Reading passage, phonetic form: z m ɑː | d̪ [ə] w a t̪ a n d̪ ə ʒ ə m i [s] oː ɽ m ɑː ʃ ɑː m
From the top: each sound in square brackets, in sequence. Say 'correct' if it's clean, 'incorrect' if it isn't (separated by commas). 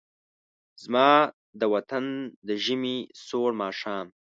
correct, correct